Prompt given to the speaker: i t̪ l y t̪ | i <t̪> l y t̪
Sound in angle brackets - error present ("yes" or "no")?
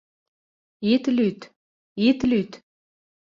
no